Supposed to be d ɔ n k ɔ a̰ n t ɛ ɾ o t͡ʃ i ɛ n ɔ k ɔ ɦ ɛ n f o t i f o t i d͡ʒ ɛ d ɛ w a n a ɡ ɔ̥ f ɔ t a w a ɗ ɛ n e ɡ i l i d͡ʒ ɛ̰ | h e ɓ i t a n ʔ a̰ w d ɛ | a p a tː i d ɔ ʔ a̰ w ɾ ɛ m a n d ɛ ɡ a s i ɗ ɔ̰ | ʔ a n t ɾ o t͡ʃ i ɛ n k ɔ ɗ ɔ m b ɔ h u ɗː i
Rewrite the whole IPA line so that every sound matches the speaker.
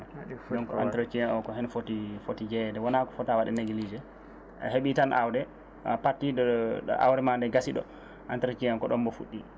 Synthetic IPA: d ɔ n k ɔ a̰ n t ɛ ɾ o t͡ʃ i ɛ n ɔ k ɔ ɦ ɛ n f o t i f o t i d͡ʒ ɛ d ɛ w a n a k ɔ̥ f ɔ t a w a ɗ ɛ n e ɡ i l i d͡ʒ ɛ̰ | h e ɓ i t a n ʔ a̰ w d ɛ | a p a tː i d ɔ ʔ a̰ w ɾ ɛ m a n d ɛ ɡ a s i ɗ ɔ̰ | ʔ a n t ɾ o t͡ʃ i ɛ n k ɔ ɗ ɔ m b ɔ f u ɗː i